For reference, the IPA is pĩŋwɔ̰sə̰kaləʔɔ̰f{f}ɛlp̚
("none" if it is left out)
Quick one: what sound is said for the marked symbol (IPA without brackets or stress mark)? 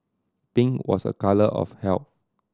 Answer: h